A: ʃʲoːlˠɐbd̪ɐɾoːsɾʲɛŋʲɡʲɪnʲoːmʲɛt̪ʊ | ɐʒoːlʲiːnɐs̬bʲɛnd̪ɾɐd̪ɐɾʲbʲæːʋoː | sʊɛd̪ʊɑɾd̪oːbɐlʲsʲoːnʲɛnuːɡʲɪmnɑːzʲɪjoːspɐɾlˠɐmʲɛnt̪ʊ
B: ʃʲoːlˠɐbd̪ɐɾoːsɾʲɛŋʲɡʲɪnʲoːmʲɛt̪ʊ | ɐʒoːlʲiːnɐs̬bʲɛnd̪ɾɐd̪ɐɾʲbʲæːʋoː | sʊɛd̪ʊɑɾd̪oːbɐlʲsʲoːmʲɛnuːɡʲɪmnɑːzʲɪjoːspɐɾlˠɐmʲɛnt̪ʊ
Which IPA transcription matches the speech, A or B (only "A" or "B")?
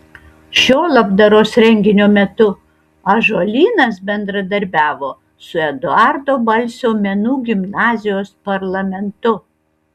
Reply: B